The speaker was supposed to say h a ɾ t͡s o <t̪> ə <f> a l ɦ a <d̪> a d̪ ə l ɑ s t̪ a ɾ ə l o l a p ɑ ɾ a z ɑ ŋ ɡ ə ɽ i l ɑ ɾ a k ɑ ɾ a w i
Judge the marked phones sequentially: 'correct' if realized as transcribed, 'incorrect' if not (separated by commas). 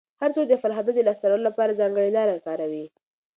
incorrect, correct, correct